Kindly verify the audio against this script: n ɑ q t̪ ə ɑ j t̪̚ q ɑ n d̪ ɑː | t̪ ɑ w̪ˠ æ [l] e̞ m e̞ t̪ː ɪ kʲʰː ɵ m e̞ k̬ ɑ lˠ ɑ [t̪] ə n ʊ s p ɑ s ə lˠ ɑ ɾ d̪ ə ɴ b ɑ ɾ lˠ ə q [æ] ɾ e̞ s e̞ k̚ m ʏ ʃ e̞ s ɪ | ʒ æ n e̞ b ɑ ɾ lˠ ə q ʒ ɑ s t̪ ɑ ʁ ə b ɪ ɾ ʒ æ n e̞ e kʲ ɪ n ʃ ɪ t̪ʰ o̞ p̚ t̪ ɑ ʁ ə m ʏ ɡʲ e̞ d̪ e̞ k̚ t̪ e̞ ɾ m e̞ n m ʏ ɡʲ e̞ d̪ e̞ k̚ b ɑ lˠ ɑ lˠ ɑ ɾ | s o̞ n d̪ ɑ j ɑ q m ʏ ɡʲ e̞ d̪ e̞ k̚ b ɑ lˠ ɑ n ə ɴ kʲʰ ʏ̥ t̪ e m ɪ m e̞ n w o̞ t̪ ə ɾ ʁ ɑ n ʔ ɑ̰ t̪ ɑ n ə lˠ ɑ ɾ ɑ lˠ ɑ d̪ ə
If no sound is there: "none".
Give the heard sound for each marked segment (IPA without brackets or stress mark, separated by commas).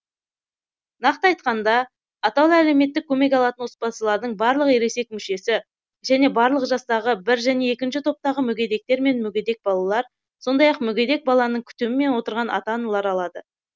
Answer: l, t̪, e